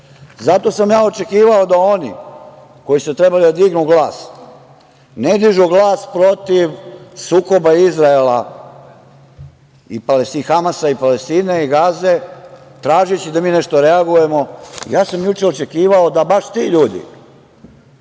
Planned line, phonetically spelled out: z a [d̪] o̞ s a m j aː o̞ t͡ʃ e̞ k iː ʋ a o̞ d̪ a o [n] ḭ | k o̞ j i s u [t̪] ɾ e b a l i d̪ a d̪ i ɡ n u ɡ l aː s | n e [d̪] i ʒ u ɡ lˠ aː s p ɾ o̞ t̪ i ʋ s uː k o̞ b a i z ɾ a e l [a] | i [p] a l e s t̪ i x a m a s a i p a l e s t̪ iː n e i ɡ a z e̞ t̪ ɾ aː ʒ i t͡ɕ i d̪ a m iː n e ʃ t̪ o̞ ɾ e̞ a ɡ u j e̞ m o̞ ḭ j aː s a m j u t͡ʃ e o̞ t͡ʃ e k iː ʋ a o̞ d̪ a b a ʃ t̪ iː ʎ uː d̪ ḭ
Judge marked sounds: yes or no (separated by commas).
no, yes, yes, yes, yes, yes